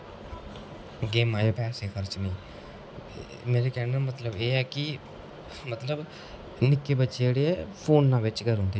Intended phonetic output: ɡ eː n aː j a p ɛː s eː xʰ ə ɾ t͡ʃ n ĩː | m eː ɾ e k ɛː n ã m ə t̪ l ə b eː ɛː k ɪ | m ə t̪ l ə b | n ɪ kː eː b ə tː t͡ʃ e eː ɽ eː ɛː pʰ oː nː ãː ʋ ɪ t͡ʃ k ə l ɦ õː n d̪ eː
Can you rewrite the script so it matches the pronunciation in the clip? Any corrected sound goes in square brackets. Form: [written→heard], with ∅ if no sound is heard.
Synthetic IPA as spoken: ɡ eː [n→m] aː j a p ɛː s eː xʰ ə ɾ t͡ʃ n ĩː | m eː ɾ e k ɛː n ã m ə t̪ l ə b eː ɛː k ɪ | m ə t̪ l ə b | n ɪ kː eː b ə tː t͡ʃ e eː ɽ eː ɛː pʰ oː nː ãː ʋ ɪ t͡ʃ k ə [l→ɾ] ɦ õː n d̪ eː